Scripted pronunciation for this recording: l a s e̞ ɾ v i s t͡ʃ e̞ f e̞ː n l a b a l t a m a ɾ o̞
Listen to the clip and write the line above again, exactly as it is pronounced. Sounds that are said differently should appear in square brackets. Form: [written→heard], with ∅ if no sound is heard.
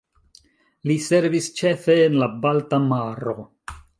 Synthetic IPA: l [a→i] s e̞ ɾ v i s t͡ʃ e̞ f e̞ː n l a b a l t a m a ɾ o̞

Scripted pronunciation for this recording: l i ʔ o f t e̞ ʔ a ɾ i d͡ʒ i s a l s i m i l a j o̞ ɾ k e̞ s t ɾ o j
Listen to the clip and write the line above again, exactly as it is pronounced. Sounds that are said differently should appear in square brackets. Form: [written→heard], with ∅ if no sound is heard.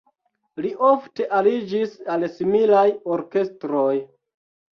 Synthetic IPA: l i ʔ o f t e̞ ʔ a [ɾ→l] i d͡ʒ i s a l s i m i l a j o̞ ɾ k e̞ s t ɾ o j

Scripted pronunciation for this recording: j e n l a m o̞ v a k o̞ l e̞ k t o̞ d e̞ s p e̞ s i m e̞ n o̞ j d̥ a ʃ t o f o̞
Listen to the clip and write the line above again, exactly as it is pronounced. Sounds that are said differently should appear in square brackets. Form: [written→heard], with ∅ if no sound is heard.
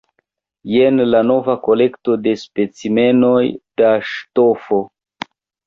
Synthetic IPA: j e n l a [m→n] o̞ v a k o̞ l e̞ k t o̞ d e̞ s p e̞ [s→t͡s] i m e̞ n o̞ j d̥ a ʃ t o f o̞

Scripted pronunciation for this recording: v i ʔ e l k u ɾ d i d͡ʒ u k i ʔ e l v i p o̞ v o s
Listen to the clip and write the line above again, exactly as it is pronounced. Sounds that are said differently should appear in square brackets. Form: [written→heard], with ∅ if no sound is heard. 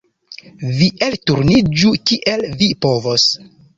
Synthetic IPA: v i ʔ e l [k→t] u ɾ [d→n] i d͡ʒ u k i ʔ e l v i p o̞ v o s

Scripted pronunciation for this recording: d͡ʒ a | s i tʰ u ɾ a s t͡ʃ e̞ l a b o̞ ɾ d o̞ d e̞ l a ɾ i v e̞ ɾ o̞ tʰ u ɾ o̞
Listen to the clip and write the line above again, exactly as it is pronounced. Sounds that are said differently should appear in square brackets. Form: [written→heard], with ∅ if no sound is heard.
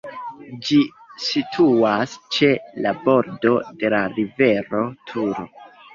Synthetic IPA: d͡ʒ [a→i] | s i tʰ u [ɾ→∅] a s t͡ʃ e̞ l a b o̞ ɾ d o̞ d e̞ l a ɾ i v e̞ ɾ o̞ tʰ u ɾ o̞

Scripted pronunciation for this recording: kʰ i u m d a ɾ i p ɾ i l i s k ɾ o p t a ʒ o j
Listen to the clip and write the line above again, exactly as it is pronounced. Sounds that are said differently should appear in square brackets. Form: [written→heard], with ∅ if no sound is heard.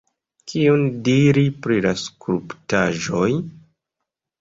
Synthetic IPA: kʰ i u [m→n] d [a→i] ɾ i p ɾ i l [i→a] s k ɾ [o→u] p t a ʒ o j

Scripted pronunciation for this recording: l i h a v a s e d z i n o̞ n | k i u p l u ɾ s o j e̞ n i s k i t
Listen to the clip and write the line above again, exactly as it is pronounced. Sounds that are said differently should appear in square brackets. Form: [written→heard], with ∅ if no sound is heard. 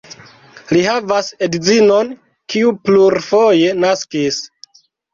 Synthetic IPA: l i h a v a s e d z i n o̞ n | k i u p l u ɾ [s→f] o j e̞ n [i→a] s k i [t→s]

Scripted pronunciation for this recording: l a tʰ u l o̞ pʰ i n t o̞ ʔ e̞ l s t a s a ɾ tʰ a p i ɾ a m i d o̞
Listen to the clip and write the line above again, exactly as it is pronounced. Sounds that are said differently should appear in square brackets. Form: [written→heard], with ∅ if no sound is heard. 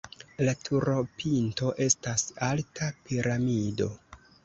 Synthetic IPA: l a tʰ u [l→ɾ] o̞ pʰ i n t o̞ ʔ e̞ [l→∅] s t a s a [ɾ→l] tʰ a p i ɾ a m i d o̞

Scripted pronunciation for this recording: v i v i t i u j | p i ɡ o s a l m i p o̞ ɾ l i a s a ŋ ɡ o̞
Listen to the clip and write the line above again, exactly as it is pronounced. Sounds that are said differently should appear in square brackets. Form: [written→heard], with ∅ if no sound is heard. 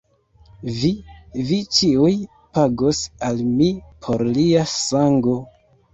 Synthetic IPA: v i v i [t→t͡ʃ] i u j | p [i→a] ɡ o s a l m i [p→pʰ] o̞ ɾ l i a s a ŋ ɡ o̞

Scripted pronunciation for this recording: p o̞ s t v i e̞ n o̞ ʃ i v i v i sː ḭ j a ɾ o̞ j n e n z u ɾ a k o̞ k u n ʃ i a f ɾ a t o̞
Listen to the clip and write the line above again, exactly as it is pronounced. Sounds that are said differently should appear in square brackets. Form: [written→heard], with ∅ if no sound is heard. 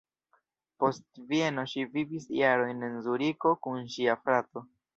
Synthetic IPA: p o̞ s t v i e̞ n o̞ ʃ i v i v i [sː→s] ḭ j a ɾ o̞ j n e n z u ɾ [a→i] k o̞ k u n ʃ i a f ɾ a t o̞

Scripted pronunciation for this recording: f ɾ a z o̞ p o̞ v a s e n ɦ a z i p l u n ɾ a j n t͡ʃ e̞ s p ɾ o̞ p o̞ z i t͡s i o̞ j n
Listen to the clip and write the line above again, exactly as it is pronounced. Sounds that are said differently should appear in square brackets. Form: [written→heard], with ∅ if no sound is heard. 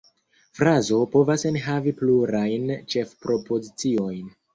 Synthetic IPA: f ɾ a z o̞ p o̞ v a s e n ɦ a [z→v] i p l u [n→∅] ɾ a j n t͡ʃ e̞ [s→f] p ɾ o̞ p o̞ z i t͡s i o̞ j n

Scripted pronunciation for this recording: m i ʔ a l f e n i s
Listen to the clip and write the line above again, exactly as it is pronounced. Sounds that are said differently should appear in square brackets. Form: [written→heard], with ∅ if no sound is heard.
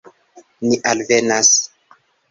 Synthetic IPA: [m→n] i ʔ a l [f→v] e n [i→a] s

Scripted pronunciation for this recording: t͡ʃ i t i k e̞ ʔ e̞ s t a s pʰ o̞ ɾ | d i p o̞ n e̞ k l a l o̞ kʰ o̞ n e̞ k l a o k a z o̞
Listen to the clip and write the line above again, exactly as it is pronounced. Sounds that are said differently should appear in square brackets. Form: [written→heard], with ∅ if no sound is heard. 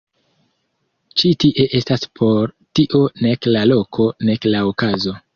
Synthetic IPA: t͡ʃ i t i [k→ʔ] e̞ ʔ e̞ s t a s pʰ o̞ ɾ | [d→t] i [p→ʔ] o̞ n e̞ k l a l o̞ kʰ o̞ n e̞ k l a o k a z o̞

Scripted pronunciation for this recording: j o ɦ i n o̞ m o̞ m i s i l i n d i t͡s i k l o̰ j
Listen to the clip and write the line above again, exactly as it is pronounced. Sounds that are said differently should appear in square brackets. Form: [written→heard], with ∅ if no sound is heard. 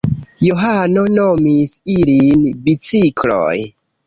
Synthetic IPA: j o ɦ [i→a] n o̞ [m→n] o̞ m i s i l i n [d→b] i t͡s i k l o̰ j

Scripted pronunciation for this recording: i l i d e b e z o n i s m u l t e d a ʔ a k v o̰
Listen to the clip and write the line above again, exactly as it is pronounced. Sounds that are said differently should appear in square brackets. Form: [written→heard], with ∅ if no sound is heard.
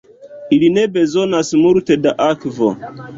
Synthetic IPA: i l i [d→n] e b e z o n [i→a] s m u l t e d a ʔ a k v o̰

